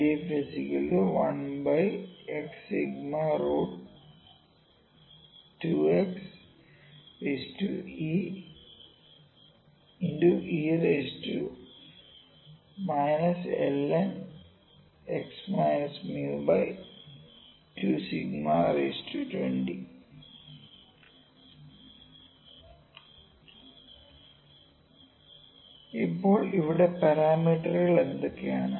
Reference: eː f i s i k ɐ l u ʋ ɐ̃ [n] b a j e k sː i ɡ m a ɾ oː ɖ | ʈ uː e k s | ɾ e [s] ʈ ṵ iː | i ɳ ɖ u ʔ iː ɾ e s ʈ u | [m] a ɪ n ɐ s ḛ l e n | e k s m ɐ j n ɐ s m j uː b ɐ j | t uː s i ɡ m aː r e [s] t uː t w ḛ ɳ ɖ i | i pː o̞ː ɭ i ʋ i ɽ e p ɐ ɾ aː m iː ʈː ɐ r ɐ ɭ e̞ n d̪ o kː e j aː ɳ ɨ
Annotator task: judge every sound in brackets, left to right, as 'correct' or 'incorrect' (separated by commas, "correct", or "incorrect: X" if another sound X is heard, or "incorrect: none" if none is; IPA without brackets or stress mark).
correct, correct, correct, correct